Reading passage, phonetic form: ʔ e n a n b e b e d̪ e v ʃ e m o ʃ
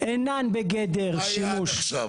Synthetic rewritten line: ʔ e n a n b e ɡ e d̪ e ʁ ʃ i m u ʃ